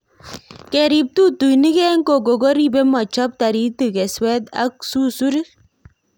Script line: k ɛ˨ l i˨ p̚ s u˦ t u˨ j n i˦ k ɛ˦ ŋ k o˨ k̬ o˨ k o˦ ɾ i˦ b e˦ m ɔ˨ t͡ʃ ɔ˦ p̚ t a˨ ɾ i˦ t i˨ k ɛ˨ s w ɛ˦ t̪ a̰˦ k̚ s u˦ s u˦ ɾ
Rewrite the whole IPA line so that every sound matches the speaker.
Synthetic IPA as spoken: k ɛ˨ ɾ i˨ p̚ t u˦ t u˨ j n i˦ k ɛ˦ ŋ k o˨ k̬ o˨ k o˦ ɾ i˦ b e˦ m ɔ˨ t͡ʃ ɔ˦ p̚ t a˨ ɾ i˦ t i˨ k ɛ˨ s w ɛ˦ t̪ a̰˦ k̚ s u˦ s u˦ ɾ